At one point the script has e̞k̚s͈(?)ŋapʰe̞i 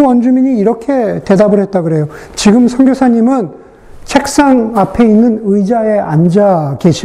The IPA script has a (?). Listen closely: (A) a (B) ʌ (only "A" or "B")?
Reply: A